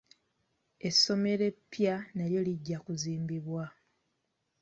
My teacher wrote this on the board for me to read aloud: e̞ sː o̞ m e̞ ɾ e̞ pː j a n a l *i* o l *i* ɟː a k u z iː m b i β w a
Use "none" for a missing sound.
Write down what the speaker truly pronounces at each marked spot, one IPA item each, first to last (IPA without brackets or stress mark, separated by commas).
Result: j, i